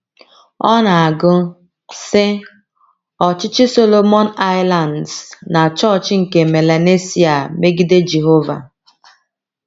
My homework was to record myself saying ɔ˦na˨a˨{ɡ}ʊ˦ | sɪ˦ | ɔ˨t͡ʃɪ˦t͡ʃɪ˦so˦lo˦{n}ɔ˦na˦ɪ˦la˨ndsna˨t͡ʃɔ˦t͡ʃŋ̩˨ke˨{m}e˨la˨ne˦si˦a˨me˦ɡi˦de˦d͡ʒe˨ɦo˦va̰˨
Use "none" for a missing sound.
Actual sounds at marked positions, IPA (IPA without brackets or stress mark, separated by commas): ɡ, m, m